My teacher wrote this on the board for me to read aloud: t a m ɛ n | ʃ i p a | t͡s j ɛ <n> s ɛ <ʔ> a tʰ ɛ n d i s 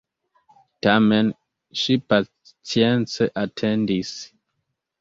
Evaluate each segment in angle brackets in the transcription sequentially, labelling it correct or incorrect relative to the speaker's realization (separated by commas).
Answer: correct, correct